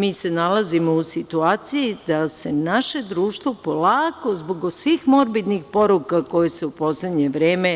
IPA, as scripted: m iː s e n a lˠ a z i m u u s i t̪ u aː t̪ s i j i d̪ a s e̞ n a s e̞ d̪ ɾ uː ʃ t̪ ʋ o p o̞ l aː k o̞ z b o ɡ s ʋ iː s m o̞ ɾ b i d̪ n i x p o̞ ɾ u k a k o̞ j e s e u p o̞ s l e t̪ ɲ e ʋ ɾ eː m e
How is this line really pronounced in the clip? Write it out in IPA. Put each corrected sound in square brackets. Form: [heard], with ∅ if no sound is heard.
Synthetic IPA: m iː s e n a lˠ a z i m [o] u s i t̪ u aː t̪ s i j i d̪ a s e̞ n a [ʃ] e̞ d̪ ɾ uː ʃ t̪ ʋ o p o̞ l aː k o̞ z b o ɡ s ʋ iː [x] m o̞ ɾ b i d̪ n i x p o̞ ɾ u k a k o̞ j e s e u p o̞ s l e [d̪] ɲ e ʋ ɾ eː m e